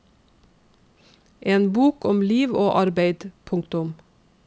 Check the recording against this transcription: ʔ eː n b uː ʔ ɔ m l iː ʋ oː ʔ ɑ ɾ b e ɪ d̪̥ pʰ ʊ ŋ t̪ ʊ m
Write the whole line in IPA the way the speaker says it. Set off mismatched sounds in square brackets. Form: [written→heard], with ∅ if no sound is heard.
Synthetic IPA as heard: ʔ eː n b uː [ʔ→k] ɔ m l iː ʋ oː ʔ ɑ ɾ b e ɪ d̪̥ pʰ ʊ ŋ t̪ ʊ m

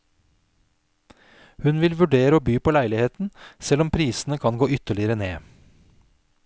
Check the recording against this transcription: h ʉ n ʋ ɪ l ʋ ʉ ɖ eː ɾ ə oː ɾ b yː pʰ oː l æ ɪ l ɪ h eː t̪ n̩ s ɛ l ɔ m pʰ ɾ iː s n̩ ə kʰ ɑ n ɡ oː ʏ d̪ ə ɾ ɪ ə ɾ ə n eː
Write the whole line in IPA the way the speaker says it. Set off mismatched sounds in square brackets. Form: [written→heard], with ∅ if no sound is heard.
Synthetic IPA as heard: h ʉ n ʋ ɪ l ʋ ʉ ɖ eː ɾ ə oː [ɾ→∅] b yː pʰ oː l æ ɪ l ɪ h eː t̪ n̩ s ɛ l ɔ m pʰ ɾ iː s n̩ ə kʰ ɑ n ɡ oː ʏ [d̪→t̪] ə [ɾ→ɭ] ɪ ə ɾ ə n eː

